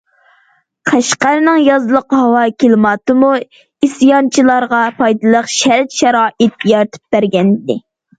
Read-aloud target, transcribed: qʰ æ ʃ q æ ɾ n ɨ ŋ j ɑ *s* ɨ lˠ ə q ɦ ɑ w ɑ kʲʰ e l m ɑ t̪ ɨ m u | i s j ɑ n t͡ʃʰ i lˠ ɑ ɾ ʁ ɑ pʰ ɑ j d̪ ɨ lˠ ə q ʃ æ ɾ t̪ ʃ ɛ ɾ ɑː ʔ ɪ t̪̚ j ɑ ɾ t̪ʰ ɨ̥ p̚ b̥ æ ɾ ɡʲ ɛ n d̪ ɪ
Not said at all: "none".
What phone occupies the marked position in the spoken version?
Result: z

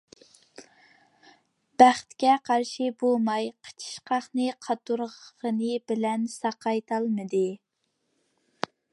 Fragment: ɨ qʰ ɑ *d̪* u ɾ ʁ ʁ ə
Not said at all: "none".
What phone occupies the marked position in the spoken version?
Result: t̪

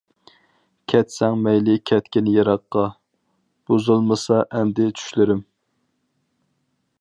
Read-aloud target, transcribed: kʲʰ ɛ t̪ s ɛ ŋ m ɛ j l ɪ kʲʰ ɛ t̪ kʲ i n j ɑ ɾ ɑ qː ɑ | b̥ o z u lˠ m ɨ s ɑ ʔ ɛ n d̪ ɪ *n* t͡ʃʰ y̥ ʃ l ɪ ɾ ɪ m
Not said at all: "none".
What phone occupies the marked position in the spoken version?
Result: none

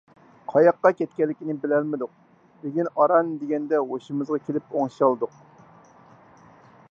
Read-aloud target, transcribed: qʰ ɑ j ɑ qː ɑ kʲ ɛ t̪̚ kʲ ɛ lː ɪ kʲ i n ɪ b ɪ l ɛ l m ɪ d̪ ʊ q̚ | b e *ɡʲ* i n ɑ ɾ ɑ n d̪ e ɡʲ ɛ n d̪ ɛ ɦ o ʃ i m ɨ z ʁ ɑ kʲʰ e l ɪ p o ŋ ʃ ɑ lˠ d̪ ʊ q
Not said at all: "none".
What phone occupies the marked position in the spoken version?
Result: ɡʲ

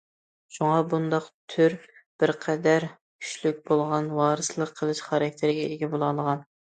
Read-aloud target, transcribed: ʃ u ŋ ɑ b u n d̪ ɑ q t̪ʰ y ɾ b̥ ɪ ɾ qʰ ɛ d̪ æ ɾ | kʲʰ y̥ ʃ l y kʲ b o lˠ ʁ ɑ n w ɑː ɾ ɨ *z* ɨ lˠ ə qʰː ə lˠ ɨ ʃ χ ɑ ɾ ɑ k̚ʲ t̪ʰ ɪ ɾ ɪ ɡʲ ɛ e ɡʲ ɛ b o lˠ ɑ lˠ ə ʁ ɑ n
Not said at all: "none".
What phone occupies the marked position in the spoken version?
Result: s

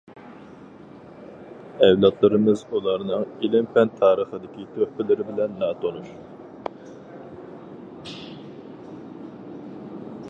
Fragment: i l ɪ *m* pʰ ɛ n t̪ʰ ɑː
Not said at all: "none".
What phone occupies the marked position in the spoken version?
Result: m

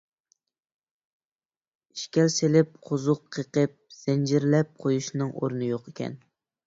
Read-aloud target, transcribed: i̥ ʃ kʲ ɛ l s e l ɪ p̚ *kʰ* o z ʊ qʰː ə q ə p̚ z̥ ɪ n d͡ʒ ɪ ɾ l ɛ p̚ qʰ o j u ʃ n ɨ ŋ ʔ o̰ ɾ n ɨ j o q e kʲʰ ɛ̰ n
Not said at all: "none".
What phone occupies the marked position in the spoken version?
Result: qʰ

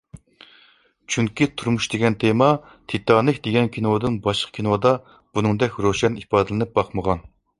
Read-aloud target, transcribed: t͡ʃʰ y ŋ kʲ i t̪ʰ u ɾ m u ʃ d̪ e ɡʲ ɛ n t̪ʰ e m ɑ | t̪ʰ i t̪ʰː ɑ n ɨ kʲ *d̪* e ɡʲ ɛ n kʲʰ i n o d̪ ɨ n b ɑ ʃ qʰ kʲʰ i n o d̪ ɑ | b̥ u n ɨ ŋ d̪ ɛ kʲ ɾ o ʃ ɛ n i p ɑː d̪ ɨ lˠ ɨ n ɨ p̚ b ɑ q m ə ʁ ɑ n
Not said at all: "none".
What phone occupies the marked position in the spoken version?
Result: d̪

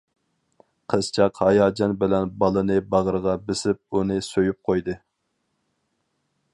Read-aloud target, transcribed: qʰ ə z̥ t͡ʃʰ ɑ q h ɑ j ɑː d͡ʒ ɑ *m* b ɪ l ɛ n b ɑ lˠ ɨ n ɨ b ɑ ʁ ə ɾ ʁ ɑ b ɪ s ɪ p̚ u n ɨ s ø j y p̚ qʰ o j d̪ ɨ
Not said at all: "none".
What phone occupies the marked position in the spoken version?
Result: n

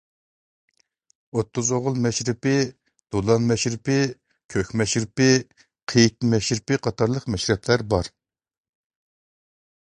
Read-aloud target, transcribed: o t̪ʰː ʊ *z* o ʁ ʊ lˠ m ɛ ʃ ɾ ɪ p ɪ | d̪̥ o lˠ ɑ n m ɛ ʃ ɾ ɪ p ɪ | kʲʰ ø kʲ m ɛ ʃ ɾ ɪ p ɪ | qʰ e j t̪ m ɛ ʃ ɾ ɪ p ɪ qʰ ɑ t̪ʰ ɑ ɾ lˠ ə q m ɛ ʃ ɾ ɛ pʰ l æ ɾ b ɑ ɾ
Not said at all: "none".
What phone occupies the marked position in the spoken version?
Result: z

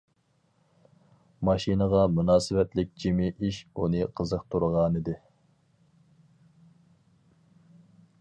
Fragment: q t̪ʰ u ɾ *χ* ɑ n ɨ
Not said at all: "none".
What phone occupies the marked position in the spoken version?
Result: ʁ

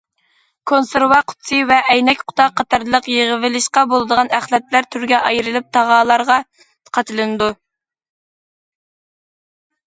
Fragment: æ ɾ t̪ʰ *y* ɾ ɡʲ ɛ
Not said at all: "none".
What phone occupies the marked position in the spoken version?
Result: y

